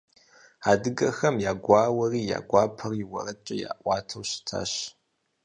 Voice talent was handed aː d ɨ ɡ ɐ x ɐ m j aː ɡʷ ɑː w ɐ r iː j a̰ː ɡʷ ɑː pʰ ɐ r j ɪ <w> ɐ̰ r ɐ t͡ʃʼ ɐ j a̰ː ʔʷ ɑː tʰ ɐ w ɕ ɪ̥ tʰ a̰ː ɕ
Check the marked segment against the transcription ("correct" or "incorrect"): correct